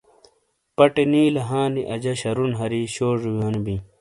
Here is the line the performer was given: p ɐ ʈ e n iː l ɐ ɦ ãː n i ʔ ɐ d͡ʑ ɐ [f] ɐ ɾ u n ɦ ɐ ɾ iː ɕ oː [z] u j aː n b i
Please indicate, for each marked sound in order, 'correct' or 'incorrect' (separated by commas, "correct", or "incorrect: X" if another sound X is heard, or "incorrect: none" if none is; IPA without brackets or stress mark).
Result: incorrect: ɕ, incorrect: ʐ